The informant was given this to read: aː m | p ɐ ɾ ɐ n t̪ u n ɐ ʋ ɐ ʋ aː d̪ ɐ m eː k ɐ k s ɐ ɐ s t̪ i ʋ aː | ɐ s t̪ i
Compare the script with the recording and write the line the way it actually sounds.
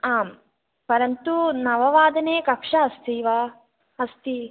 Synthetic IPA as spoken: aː m | p ɐ ɾ ɐ n t̪ u n ɐ ʋ ɐ ʋ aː d̪ ɐ n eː k ɐ k ʂ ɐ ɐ s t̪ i ʋ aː | ɐ s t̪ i